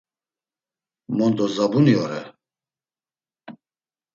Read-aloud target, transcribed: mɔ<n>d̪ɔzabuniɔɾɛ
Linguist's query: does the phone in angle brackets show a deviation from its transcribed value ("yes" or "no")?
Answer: no